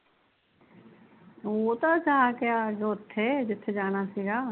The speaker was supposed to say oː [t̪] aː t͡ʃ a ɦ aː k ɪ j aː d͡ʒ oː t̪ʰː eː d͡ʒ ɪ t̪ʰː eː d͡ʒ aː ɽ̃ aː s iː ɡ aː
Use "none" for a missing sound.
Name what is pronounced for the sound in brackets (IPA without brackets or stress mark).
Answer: t̪